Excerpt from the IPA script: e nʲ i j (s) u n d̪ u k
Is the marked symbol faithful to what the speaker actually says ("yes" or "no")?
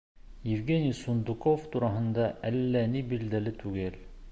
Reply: yes